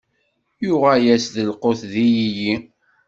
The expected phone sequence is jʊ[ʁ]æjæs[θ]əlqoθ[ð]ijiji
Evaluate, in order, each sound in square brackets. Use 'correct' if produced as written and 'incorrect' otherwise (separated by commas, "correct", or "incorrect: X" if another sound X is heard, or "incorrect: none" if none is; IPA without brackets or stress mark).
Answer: correct, incorrect: ð, correct